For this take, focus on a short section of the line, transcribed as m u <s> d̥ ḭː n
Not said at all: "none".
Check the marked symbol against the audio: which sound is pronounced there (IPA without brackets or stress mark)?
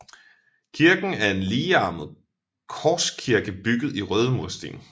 s